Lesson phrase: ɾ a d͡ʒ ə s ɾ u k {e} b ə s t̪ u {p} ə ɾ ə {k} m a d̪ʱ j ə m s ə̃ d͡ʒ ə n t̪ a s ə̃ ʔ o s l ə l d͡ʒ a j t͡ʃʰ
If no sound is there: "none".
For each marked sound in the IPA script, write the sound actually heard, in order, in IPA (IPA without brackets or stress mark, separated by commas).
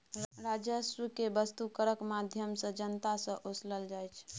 e, k, k